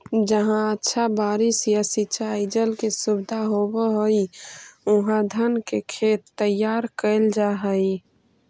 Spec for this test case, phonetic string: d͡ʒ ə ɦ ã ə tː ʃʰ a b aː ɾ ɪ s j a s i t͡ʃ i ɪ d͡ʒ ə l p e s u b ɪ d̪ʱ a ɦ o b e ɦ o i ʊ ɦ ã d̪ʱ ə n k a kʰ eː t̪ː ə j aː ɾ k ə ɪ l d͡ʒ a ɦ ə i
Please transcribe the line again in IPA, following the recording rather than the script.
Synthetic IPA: d͡ʒ ə ɦ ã ə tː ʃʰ a b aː ɾ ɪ s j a s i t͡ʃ a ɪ d͡ʒ ə l k e s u b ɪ d̪ʱ a ɦ o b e ɦ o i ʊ ɦ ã d̪ʱ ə n k e kʰ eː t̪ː ə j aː ɾ k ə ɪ l d͡ʒ a ɦ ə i